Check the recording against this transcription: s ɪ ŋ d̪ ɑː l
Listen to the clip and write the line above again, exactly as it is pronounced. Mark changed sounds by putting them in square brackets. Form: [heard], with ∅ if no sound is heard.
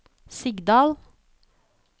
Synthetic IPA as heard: s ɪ [ɡ] d̪ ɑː l